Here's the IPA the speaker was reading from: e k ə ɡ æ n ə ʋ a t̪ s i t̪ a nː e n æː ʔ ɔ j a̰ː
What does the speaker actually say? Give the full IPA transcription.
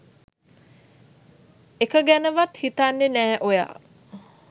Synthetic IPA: e k ə ɡ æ n ə ʋ a t̪ h i t̪ a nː e n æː ʔ o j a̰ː